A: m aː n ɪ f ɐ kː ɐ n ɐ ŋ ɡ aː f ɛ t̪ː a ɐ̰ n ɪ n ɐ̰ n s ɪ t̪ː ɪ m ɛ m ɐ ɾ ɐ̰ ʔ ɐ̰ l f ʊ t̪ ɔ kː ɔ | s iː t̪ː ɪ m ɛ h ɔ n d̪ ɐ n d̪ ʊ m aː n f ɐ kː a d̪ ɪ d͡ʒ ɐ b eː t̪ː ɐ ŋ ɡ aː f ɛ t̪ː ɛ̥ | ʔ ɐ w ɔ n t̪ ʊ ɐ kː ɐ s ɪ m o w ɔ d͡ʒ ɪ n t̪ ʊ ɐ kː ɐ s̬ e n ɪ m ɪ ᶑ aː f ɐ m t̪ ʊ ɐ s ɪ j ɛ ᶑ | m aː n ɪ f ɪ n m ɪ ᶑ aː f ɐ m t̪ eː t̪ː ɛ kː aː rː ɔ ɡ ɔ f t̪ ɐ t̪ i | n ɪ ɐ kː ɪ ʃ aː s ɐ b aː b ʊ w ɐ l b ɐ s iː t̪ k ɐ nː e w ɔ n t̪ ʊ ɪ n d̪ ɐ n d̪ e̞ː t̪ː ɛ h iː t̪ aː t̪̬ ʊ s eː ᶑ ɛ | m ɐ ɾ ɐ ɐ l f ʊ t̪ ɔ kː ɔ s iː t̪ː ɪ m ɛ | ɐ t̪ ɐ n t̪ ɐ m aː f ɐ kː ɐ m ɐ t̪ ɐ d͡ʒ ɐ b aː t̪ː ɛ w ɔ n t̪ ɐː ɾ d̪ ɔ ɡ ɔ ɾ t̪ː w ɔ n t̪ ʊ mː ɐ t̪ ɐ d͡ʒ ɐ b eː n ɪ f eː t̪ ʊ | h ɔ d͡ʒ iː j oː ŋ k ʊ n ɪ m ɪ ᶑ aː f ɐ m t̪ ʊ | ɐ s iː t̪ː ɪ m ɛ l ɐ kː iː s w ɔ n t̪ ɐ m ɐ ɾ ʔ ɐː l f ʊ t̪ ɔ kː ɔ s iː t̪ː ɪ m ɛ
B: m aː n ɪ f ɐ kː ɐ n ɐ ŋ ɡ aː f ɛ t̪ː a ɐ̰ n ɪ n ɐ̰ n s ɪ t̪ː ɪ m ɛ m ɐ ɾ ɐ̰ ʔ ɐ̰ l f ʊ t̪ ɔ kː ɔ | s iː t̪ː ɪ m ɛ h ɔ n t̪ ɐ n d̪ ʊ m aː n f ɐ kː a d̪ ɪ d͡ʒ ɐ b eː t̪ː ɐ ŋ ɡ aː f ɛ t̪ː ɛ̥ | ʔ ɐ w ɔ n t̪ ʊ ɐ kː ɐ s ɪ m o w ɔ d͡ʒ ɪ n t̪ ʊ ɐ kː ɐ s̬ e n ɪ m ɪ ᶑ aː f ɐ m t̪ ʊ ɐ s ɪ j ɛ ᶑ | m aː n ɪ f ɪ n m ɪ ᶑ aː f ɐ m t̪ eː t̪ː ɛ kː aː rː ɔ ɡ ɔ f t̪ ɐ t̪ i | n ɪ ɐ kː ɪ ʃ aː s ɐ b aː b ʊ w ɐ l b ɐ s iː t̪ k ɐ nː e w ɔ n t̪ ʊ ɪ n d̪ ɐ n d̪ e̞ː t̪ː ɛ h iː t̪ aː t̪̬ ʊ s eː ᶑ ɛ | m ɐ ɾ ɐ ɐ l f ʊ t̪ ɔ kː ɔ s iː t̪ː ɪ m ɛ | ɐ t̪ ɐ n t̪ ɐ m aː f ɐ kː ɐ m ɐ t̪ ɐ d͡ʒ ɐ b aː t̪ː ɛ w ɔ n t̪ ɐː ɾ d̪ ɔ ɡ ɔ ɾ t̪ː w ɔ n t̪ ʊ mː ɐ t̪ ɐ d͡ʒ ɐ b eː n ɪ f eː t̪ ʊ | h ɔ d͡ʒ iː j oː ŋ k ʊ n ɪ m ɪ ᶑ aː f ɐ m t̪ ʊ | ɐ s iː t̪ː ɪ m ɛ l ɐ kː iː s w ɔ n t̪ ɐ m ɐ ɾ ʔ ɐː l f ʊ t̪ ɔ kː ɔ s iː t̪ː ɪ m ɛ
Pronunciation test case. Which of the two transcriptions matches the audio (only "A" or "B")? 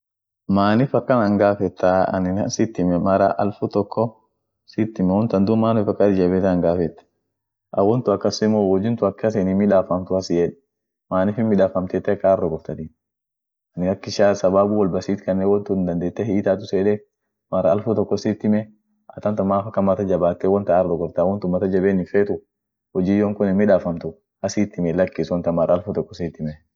B